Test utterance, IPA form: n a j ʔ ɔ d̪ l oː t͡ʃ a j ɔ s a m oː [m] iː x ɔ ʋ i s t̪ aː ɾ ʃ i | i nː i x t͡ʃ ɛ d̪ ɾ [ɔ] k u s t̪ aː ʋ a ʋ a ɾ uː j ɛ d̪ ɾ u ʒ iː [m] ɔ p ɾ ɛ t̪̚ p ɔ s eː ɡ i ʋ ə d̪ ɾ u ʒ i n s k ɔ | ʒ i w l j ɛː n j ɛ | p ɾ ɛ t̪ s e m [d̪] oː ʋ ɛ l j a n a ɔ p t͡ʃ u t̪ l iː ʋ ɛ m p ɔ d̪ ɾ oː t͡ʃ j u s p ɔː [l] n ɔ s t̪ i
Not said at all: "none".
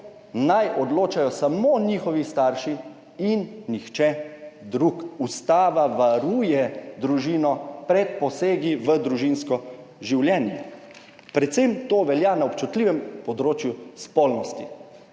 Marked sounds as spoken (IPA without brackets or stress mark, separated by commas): n, u, n, t̪, l